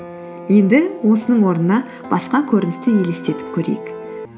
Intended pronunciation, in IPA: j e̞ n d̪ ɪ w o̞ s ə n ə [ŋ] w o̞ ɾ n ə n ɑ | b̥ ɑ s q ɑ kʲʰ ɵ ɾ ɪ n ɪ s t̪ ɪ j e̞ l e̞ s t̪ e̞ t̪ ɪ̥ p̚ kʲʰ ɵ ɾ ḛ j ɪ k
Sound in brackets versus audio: incorrect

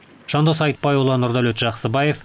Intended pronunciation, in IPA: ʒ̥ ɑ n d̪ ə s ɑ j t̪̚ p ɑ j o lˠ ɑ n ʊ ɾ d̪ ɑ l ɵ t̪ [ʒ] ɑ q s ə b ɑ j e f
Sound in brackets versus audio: correct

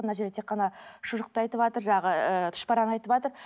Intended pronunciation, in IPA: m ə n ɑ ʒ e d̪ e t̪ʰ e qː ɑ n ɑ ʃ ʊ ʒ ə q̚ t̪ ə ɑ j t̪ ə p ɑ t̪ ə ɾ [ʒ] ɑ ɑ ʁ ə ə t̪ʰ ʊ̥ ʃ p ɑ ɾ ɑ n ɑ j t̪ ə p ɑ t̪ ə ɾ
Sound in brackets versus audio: correct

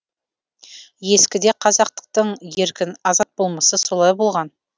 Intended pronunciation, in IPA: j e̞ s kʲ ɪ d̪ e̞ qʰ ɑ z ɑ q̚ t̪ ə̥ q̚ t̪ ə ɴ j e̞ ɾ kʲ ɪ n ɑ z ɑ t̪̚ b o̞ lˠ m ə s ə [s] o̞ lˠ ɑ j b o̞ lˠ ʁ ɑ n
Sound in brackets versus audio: correct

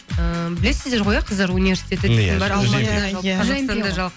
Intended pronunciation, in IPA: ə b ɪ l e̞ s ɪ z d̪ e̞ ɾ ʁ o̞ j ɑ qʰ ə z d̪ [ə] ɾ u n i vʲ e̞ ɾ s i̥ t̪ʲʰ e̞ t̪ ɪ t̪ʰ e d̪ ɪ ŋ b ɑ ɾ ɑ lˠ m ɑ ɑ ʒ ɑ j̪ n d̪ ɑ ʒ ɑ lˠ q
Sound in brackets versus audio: incorrect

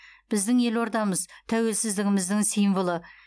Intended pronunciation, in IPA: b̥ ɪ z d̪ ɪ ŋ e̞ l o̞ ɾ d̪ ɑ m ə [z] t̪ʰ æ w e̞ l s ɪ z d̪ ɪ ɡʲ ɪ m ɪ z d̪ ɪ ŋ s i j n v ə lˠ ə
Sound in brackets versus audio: correct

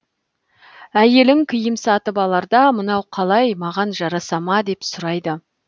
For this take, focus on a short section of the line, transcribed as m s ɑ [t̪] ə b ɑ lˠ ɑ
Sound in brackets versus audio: correct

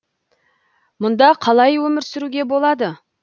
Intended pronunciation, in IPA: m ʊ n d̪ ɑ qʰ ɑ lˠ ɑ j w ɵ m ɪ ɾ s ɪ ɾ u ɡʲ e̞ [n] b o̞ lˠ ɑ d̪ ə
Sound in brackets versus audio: incorrect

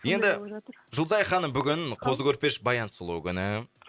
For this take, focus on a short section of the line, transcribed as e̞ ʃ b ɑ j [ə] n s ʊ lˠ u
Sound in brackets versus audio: incorrect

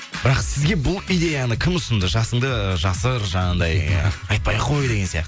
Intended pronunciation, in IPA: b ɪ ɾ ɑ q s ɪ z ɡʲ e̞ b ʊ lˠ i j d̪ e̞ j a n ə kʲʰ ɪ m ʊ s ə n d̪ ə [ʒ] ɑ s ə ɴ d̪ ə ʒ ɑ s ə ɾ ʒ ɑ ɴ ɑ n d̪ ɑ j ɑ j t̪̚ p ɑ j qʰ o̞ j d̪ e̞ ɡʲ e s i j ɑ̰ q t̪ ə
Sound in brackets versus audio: correct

